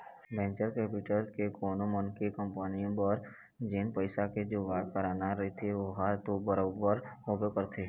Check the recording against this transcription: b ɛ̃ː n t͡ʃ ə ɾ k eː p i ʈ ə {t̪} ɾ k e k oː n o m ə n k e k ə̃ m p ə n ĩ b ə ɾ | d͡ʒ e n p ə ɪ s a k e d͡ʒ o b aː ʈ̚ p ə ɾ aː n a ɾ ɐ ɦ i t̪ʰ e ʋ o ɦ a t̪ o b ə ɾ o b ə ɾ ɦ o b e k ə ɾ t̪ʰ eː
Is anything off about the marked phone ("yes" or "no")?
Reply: yes